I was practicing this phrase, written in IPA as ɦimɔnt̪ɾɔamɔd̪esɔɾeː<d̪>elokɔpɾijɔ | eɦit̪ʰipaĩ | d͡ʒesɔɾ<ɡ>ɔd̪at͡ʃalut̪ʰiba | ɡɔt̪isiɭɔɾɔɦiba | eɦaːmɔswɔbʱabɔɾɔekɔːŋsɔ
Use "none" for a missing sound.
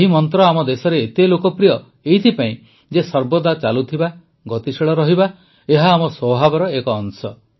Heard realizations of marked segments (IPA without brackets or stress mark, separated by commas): t̪, b